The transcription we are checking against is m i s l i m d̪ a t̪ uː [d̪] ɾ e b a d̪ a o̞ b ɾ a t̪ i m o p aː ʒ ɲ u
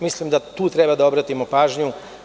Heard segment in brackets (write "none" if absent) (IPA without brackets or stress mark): t̪